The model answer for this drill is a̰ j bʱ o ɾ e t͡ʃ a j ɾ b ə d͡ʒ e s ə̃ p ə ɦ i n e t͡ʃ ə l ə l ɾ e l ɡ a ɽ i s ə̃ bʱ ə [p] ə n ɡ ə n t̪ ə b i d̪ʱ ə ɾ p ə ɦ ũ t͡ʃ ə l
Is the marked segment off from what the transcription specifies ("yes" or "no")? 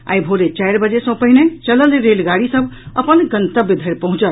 no